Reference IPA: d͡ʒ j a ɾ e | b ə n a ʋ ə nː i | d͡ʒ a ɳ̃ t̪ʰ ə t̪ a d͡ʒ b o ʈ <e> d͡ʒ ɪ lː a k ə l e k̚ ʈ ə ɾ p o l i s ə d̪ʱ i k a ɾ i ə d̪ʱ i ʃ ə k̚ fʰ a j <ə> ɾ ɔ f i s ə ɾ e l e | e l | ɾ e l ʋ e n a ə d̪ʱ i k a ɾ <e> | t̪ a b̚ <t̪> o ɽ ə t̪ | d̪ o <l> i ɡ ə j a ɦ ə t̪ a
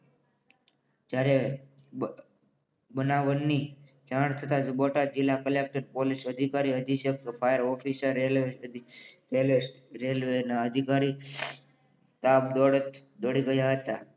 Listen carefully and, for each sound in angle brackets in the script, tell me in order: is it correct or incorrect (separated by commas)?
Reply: incorrect, correct, incorrect, incorrect, incorrect